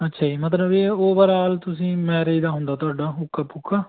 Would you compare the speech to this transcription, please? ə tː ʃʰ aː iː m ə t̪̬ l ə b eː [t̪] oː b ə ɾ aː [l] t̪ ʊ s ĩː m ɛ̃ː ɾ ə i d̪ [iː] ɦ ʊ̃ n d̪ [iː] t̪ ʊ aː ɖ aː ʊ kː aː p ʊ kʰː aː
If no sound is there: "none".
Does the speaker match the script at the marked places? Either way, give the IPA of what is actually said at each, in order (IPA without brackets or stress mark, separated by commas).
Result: none, l, aː, aː